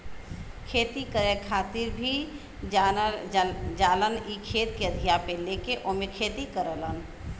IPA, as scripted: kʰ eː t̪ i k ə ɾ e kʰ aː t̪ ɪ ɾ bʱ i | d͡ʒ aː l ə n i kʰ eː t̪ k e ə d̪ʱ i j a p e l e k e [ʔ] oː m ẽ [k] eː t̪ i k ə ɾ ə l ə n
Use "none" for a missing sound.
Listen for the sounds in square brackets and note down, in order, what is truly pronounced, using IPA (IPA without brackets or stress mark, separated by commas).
ʔ, kʰ